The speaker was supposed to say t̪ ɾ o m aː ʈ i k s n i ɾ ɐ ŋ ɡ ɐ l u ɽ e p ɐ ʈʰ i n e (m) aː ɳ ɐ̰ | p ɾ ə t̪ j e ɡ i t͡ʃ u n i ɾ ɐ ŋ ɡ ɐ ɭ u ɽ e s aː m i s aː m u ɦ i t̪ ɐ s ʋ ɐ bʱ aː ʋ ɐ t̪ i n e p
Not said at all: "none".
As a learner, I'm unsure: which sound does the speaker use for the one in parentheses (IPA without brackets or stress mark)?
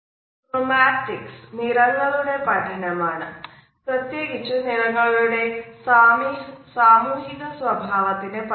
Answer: m